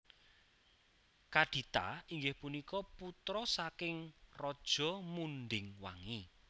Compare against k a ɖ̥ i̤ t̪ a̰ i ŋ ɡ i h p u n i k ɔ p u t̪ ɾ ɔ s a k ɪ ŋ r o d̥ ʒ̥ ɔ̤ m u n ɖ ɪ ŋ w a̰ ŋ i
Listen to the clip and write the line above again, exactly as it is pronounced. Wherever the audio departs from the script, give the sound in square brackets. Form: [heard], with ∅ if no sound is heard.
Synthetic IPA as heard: k a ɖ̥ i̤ t̪ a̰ i ŋ ɡ [ɪ] h p u n i k ɔ p u t̪ ɾ ɔ s a k ɪ ŋ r [ɔ] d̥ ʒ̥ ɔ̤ m u n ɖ ɪ ŋ w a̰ ŋ i